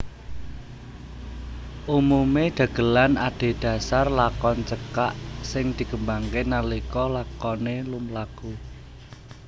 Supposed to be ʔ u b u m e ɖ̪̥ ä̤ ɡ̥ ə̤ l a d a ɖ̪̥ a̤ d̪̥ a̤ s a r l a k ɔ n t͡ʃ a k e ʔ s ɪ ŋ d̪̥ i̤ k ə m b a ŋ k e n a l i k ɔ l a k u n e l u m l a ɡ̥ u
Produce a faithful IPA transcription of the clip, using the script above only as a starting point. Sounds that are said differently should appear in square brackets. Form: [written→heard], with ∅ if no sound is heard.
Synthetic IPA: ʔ u [b→m] u m e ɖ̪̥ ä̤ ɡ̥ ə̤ l a [d→n] a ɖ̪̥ [a̤→e̤] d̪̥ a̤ s a r l a k ɔ n t͡ʃ [a→ə] k [e→a] ʔ s ɪ ŋ d̪̥ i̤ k ə m b a ŋ k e n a l i k ɔ l a k [u→ɔ] n e l u m l a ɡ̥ u